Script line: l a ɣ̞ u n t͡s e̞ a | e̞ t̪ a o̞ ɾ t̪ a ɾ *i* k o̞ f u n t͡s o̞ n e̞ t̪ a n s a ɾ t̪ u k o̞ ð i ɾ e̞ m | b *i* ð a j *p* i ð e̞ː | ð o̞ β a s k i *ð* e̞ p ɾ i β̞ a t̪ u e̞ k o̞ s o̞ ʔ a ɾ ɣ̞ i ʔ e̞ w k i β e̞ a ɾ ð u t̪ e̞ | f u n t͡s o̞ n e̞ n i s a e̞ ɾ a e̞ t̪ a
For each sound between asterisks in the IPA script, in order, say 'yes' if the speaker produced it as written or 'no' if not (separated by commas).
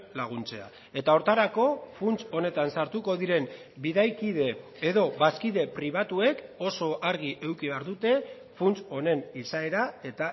no, yes, no, yes